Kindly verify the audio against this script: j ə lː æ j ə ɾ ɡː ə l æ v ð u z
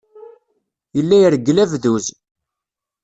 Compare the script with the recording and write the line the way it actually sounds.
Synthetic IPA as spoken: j ə lː æ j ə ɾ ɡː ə l æ v ð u z